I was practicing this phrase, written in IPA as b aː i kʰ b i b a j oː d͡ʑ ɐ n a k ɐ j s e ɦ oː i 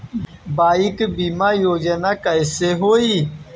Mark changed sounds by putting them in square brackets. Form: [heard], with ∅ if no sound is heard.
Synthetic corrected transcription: b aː i [k] b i [m] a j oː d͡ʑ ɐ n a k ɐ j s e ɦ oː i